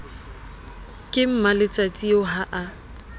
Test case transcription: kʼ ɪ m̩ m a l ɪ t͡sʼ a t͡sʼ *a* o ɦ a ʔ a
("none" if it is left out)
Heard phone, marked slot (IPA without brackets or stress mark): i